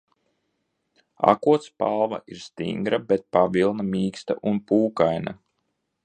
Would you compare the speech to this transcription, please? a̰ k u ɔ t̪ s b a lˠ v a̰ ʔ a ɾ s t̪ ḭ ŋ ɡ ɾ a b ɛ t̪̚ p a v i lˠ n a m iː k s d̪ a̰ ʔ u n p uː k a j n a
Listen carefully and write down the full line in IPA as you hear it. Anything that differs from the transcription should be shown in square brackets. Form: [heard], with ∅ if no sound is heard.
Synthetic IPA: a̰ k u ɔ t̪ s [p] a lˠ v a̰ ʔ [i] ɾ s t̪ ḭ ŋ ɡ ɾ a b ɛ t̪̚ p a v i lˠ n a m iː k s [t̪] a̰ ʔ u n p uː k a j n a